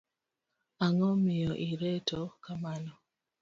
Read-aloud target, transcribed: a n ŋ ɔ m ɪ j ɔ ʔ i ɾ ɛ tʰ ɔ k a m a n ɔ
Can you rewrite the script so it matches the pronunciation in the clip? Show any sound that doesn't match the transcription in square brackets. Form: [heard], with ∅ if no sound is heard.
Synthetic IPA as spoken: a [∅] ŋ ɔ m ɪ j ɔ ʔ i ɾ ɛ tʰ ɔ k a m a n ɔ